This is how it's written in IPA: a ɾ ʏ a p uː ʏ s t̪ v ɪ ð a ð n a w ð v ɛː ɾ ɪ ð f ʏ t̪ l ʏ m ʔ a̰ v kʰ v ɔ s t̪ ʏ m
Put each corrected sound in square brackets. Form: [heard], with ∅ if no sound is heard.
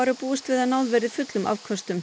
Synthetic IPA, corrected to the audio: a ɾ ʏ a p uː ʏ s t̪ v ɪ ð a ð n a w ð v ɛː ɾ ɪ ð f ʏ t̪ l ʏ m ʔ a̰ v kʰ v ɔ s t̪ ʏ m